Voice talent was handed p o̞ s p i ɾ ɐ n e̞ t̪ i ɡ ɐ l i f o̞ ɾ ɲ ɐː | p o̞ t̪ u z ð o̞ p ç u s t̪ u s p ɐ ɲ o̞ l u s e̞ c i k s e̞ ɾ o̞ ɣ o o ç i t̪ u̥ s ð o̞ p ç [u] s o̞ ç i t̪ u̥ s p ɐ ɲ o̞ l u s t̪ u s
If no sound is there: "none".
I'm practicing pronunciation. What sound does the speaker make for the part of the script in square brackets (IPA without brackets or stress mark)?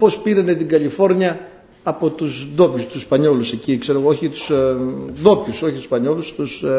u